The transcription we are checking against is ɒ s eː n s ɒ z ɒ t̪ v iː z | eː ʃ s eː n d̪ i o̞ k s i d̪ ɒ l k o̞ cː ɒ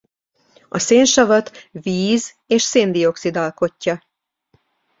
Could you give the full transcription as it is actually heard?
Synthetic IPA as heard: ɒ s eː n ʃ ɒ v ɒ t̪ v iː z | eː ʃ s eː n d̪ i o̞ k s i d̪ ɒ l k o̞ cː ɒ

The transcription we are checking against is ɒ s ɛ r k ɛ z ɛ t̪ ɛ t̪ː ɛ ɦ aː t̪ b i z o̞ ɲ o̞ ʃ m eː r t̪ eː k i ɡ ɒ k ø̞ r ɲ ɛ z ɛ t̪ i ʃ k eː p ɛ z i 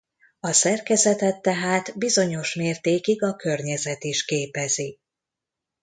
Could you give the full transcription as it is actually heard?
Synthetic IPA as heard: ɒ s ɛ r k ɛ z ɛ t̪ ɛ t̪ː ɛ ɦ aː t̪ b i z o̞ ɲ o̞ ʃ m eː r t̪ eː k i ɡ ɒ k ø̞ r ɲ ɛ z ɛ t̪ i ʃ k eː p ɛ z i

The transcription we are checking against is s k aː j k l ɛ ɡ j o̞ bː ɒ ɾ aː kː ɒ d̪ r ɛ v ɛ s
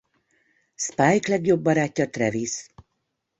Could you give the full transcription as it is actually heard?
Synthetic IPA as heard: s p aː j k l ɛ ɡ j o̞ bː ɒ ɾ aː cː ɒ t̪ r ɛ v i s

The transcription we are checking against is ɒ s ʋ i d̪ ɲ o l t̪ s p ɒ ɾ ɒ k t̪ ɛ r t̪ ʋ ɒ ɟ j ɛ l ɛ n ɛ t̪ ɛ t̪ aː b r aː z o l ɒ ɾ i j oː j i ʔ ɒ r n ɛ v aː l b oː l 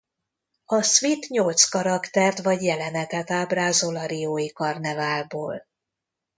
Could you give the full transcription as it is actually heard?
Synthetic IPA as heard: ɒ s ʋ i t̪ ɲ o l t̪ s k ɒ ɾ ɒ k t̪ ɛ r t̪ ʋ ɒ ɟ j ɛ l ɛ n ɛ t̪ ɛ t̪ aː b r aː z o l ɒ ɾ i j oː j i k ɒ r n ɛ v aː l b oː l

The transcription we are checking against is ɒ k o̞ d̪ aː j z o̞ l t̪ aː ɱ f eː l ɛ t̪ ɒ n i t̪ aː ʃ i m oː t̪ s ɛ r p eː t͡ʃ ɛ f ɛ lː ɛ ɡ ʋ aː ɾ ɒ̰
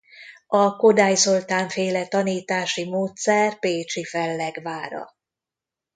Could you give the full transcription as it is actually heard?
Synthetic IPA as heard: ɒ k o̞ d̪ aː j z o̞ l t̪ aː ɱ f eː l ɛ t̪ ɒ n iː t̪ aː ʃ i m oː t̪ s ɛ r p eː t͡ʃ i f ɛ lː ɛ ɡ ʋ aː ɾ ɒ̰

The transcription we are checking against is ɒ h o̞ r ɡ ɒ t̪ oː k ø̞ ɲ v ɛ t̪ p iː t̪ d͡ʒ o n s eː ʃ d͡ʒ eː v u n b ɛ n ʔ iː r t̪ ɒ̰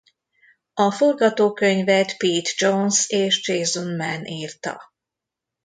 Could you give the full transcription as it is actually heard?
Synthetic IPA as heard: ɒ f o̞ r ɡ ɒ t̪ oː k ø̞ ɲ v ɛ t̪ p iː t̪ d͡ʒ o n s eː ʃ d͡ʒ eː z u n m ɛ n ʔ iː r t̪ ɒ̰

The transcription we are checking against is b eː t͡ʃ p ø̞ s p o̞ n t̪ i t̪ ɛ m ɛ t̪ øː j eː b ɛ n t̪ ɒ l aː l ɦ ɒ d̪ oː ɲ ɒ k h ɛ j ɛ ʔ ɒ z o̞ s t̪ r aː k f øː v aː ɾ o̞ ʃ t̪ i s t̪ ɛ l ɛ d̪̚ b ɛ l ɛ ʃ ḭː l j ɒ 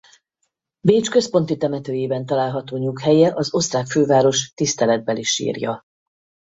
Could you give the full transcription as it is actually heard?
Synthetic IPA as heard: b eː t͡ʃ k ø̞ s p o̞ n t̪ i t̪ ɛ m ɛ t̪ øː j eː b ɛ n t̪ ɒ l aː l ɦ ɒ t̪ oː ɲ u k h ɛ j ɛ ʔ ɒ z o̞ s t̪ r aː k f øː v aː ɾ o̞ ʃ t̪ i s t̪ ɛ l ɛ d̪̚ b ɛ l i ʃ ḭː r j ɒ

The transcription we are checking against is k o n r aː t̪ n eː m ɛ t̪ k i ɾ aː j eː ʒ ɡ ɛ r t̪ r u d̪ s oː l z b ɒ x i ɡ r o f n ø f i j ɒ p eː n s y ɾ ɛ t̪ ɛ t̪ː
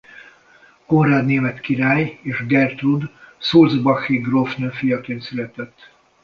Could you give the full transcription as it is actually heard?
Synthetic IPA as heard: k o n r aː d̪ n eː m ɛ t̪ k i ɾ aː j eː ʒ ɡ ɛ r t̪ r u d̪ s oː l z b ɒ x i ɡ r o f n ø f i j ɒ k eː n s y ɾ ɛ t̪ ɛ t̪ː

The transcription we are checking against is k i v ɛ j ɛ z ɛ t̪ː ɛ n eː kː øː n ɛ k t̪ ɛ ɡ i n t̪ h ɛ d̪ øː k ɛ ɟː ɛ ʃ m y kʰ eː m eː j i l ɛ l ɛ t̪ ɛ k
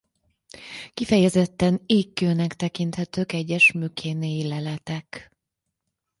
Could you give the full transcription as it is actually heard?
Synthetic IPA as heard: k i f ɛ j ɛ z ɛ t̪ː ɛ n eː kː øː n ɛ k t̪ ɛ k i n t̪ h ɛ t̪ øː k ɛ ɟː ɛ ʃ m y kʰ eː n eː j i l ɛ l ɛ t̪ ɛ k

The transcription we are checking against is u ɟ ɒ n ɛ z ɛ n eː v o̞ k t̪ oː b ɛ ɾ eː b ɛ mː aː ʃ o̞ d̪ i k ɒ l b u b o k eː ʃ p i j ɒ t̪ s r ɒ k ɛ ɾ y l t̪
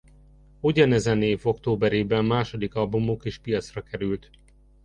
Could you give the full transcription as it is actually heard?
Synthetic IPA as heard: u ɟ ɒ n ɛ z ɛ n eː v o̞ k t̪ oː b ɛ ɾ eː b ɛ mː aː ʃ o̞ d̪ i k ɒ l b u m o k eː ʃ p i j ɒ t̪ s r ɒ k ɛ ɾ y l t̪

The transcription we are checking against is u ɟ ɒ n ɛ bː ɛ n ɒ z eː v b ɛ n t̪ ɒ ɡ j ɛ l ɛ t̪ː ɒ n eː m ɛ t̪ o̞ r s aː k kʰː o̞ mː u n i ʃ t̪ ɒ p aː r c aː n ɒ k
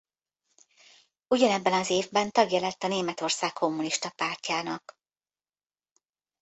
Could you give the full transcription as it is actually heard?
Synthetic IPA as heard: u ɟ ɒ n ɛ bː ɛ n ɒ z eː v b ɛ n t̪ ɒ ɡ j ɛ l ɛ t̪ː ɒ n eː m ɛ t̪ o̞ r s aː k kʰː o̞ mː u n i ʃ t̪ ɒ p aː r c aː n ɒ k

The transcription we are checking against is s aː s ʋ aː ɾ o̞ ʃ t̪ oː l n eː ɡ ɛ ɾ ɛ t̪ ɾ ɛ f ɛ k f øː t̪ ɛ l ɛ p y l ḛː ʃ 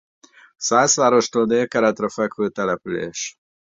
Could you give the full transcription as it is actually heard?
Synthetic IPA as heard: s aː s ʋ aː ɾ o̞ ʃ t̪ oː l n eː k ɛ ɾ ɛ t̪ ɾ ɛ f ɛ k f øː t̪ ɛ l ɛ p y l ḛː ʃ

